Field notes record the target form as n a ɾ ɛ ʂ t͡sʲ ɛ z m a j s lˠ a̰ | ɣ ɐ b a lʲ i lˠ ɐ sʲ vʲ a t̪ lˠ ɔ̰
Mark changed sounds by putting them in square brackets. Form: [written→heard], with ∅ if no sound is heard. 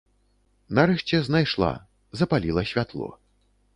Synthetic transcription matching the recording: n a ɾ ɛ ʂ t͡sʲ ɛ z [m→n] a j [s→ʂ] lˠ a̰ | [ɣ→z] ɐ [b→p] a lʲ i lˠ ɐ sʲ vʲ a t̪ lˠ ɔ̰